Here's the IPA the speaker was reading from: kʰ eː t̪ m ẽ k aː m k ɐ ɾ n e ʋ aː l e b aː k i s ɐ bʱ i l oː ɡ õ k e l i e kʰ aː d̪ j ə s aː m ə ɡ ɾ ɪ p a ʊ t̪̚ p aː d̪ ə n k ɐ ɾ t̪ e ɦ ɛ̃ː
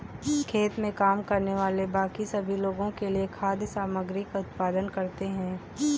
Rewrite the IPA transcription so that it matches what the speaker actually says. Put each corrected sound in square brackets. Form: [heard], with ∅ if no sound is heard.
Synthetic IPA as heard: kʰ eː t̪ m ẽ k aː m k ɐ ɾ n e ʋ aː l e b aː k i s ɐ bʱ i l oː ɡ õ k e l i e kʰ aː d̪ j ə s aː m ə ɡ ɾ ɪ [k] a ʊ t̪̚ p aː d̪ ə n k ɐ ɾ t̪ e ɦ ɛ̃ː